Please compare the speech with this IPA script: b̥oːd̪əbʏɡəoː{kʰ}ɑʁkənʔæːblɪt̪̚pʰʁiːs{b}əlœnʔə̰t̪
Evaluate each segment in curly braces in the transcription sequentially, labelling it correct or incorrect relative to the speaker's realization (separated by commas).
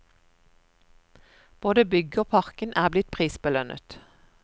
incorrect, correct